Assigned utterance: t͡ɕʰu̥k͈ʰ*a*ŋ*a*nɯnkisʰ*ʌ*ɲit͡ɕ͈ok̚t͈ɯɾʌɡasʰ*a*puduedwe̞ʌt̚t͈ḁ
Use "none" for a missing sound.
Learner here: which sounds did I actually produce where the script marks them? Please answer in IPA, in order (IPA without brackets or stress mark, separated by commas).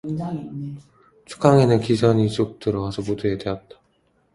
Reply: a, e, ʌ, ʌ